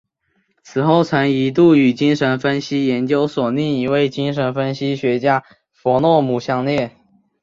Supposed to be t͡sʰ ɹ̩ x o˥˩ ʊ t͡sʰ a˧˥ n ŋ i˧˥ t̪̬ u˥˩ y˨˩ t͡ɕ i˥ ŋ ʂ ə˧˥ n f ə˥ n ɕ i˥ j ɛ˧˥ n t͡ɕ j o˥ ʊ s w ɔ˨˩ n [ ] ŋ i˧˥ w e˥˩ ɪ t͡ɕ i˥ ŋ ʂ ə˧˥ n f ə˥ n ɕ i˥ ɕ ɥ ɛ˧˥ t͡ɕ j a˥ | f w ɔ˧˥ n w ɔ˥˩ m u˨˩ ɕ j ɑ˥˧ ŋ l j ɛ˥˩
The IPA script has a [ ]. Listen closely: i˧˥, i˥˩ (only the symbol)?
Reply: i˥˩